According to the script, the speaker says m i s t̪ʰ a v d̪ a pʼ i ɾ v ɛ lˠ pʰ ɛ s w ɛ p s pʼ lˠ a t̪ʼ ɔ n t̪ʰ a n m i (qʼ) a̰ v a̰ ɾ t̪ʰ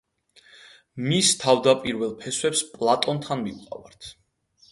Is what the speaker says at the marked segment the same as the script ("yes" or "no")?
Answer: yes